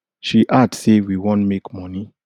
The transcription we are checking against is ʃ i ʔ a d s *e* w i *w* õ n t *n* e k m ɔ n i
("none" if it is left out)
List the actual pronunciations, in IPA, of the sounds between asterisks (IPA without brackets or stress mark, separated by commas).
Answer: e, w, m